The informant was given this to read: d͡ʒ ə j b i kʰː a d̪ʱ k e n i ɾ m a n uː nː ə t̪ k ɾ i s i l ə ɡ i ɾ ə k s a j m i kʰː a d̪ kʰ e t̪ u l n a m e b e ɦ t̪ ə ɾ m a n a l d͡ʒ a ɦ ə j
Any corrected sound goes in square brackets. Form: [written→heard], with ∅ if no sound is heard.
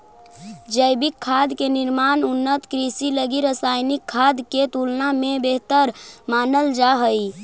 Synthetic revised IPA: d͡ʒ ə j b i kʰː a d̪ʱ k e n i ɾ m a n [uː→u] nː ə t̪ k ɾ i s i l ə ɡ i ɾ ə [k→∅] s a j [m→n] i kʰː a d̪ [kʰ→k] e t̪ u l n a m e b e ɦ t̪ ə ɾ m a n [a→ə] l d͡ʒ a ɦ ə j